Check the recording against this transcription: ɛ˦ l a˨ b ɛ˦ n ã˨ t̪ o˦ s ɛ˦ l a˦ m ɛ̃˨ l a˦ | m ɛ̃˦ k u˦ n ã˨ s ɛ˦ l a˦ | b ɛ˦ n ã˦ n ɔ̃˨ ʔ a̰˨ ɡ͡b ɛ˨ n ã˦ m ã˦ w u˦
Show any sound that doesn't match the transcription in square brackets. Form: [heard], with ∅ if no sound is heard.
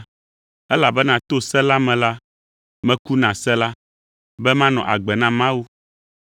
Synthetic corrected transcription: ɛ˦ l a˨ b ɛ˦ n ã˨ t̪ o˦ s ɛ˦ l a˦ m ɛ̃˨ l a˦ | m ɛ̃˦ k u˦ n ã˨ s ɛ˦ l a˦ | b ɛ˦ [m] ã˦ n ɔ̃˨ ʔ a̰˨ ɡ͡b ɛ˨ n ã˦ m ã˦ w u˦